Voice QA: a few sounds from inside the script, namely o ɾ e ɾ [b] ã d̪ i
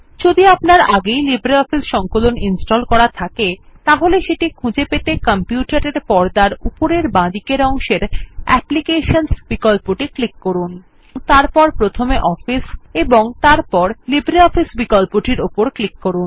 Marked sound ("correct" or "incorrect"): correct